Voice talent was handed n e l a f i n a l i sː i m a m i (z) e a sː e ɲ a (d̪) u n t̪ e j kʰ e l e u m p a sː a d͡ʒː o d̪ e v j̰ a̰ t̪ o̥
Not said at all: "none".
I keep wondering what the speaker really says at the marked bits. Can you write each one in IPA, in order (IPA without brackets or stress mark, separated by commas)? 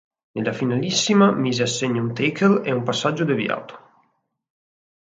z, none